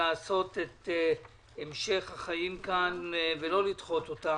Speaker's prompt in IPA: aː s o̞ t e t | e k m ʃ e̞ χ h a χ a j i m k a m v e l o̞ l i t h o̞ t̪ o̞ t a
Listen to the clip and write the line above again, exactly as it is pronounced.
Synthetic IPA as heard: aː s o̞ t e t | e m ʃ e̞ χ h a χ a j i m k a n v e l o̞ l i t χ o̞ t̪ o̞ t a